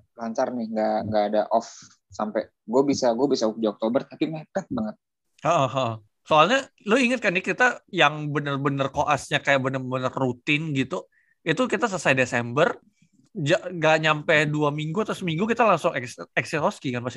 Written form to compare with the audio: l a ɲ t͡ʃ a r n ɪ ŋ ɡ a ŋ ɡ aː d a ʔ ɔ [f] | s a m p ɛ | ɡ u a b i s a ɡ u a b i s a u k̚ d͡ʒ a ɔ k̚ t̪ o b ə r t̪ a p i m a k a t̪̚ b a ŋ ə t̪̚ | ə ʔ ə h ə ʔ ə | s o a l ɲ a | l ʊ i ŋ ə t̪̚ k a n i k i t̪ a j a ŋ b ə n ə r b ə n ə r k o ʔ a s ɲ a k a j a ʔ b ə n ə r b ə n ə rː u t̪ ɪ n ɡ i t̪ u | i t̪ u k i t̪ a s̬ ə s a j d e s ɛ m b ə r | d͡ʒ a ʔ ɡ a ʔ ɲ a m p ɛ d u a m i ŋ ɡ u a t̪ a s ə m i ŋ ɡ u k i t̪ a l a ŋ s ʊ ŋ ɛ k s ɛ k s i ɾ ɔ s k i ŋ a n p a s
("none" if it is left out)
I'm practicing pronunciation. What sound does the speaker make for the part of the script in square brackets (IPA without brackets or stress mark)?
f